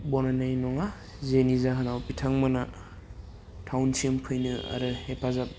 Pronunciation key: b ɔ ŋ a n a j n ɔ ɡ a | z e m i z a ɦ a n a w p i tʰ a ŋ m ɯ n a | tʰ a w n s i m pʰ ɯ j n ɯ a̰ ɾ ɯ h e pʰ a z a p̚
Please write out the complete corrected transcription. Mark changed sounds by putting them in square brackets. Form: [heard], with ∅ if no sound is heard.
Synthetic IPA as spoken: b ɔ [n] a n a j n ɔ [ŋ] a | z e [n] i z a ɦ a n a w p i tʰ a ŋ m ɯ n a | tʰ a w n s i m pʰ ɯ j n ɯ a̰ ɾ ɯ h e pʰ a z a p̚